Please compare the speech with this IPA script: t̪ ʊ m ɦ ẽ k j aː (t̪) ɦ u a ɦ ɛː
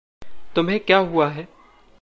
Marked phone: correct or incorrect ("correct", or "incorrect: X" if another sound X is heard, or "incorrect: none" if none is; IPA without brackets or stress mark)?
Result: incorrect: none